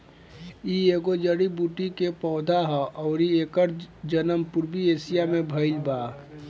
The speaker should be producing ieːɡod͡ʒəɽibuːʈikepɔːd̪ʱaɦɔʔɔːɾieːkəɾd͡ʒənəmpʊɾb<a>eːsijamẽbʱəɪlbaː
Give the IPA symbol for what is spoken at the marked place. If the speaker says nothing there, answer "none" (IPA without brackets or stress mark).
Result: i